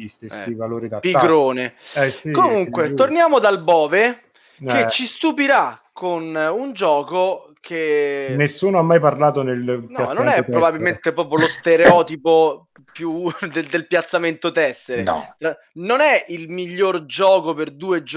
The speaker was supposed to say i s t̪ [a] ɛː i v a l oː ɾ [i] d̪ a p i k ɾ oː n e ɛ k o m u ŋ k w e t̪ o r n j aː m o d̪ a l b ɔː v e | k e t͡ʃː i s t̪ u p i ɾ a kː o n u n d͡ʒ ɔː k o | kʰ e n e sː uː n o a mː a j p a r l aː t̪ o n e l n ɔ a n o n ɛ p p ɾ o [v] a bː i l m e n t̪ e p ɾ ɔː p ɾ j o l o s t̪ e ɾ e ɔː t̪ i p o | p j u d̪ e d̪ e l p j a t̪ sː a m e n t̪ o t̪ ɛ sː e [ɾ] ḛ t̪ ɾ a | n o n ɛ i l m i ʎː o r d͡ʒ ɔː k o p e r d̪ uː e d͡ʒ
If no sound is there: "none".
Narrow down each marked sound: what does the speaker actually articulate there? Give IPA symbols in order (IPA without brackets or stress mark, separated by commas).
e, i, b, ɾ